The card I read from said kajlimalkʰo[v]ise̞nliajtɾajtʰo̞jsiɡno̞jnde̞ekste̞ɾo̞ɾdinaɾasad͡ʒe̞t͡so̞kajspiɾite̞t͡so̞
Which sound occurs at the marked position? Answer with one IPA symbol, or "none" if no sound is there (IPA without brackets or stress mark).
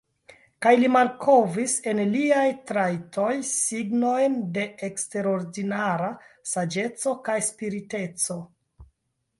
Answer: v